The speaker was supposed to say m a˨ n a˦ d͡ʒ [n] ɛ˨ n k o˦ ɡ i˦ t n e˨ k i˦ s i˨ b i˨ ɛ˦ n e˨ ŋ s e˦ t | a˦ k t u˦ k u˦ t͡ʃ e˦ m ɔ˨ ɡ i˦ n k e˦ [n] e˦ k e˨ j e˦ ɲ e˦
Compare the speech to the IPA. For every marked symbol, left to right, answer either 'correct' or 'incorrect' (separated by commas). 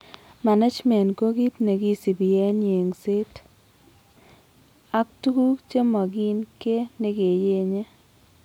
incorrect, correct